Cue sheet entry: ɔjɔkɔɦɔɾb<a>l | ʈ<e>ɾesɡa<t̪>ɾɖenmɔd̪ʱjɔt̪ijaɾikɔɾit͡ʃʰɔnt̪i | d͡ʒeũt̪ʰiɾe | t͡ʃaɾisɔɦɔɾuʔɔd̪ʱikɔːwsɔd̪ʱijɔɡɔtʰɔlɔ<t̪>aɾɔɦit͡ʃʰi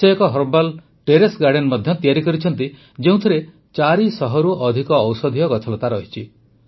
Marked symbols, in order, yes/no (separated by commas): yes, yes, no, yes